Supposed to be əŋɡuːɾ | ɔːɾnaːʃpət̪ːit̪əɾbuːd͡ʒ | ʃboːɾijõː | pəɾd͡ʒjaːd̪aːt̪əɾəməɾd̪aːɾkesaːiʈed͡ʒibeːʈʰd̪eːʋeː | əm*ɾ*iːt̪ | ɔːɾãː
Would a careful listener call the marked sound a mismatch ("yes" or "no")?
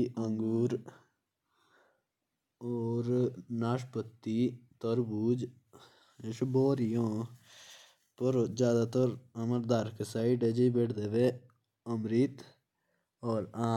no